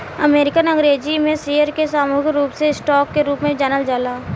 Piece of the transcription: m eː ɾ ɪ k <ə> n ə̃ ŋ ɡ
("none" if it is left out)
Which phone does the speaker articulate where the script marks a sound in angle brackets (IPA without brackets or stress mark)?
ə